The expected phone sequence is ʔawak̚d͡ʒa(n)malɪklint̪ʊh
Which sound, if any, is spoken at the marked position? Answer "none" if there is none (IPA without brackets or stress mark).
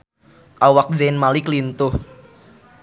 n